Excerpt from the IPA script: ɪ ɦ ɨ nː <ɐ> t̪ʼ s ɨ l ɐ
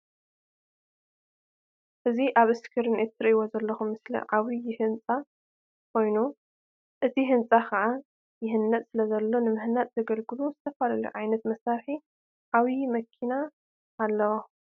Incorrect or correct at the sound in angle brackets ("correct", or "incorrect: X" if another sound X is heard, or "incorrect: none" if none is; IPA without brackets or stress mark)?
correct